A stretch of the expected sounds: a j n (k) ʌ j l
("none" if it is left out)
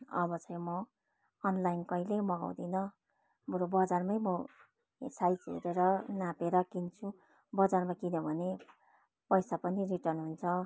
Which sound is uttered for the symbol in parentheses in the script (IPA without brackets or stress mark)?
k